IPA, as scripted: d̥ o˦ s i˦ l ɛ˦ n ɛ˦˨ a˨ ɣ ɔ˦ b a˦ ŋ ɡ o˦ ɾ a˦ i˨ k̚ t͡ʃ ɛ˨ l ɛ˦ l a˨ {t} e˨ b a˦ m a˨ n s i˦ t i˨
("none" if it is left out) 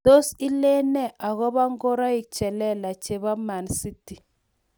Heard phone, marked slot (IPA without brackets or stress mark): t͡ʃ